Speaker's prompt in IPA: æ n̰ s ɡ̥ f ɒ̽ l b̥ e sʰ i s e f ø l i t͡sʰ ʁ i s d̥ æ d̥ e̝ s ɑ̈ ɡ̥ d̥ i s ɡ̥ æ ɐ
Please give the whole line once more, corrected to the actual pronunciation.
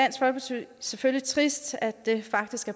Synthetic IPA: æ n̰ s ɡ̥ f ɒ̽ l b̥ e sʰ y s e f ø l i t͡sʰ ʁ i s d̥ æ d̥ e̝ f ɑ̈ ɡ̥ d̥ i s ɡ̥ æ ɐ